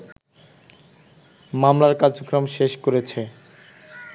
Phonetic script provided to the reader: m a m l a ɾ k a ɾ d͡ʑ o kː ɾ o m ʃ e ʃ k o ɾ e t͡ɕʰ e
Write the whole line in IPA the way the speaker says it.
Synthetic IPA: m a m l a ɾ k a ɾ d͡ʑ o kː ɾ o m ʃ e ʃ k o ɾ e t͡ɕʰ e